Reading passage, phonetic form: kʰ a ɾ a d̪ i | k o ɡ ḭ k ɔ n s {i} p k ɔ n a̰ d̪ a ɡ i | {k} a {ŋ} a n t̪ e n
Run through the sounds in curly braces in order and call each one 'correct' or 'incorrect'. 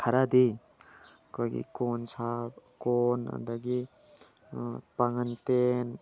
incorrect, incorrect, correct

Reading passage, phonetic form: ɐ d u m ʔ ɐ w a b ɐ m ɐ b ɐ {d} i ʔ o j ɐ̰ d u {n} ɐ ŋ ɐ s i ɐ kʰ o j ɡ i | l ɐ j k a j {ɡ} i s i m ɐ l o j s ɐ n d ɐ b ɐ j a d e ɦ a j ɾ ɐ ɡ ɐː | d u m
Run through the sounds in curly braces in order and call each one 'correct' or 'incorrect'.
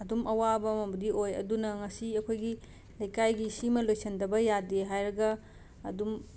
correct, correct, correct

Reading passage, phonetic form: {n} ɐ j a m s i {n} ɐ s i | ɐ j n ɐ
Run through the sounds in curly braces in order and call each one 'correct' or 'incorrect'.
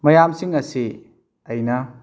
incorrect, incorrect

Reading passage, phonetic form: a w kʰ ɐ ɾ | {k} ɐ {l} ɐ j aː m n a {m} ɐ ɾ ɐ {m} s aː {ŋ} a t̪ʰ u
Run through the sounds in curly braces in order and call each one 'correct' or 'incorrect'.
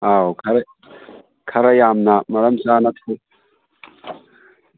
incorrect, incorrect, correct, correct, incorrect

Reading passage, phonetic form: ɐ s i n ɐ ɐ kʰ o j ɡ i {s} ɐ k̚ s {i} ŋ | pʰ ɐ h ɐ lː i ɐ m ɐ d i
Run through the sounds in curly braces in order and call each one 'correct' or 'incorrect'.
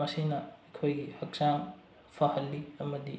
incorrect, incorrect

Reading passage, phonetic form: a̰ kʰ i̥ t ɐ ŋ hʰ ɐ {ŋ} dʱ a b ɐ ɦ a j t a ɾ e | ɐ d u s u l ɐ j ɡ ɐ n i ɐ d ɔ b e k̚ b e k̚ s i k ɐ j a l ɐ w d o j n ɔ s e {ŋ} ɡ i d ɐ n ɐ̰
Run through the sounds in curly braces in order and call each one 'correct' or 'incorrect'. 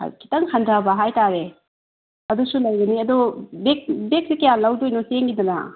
incorrect, correct

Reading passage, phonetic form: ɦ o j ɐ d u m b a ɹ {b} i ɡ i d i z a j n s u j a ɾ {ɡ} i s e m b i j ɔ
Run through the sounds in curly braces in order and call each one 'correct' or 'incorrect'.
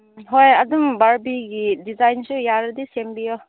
correct, incorrect

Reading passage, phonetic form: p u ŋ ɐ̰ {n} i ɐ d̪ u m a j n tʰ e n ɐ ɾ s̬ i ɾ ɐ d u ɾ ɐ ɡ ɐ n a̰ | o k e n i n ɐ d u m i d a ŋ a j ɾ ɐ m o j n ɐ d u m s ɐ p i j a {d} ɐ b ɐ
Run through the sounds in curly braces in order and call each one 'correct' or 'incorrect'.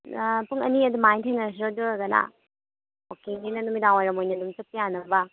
correct, incorrect

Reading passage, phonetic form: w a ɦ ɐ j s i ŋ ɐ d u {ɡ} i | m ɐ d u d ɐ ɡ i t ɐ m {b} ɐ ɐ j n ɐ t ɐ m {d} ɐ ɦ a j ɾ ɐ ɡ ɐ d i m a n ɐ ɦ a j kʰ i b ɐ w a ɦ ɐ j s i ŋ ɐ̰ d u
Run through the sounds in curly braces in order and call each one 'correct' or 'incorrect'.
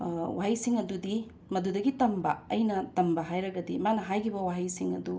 incorrect, correct, incorrect

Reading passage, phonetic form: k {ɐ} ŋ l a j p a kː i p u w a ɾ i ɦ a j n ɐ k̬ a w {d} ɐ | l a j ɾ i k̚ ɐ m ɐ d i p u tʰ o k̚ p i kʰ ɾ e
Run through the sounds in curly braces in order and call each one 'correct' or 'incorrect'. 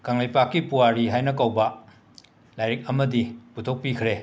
incorrect, incorrect

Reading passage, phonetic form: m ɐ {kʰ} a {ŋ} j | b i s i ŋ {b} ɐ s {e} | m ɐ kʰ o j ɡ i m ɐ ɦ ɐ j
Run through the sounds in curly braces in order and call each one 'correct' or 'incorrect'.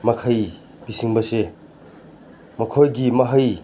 correct, incorrect, correct, correct

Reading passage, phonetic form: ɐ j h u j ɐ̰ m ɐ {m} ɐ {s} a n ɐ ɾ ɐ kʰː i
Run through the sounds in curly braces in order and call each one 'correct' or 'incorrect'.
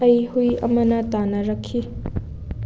incorrect, incorrect

